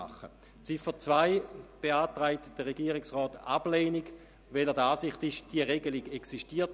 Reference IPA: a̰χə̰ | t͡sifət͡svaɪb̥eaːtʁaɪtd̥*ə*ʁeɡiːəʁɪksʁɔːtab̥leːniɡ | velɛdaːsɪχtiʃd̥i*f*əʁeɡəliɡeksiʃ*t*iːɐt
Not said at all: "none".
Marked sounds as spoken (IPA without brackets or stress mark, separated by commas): ə, none, t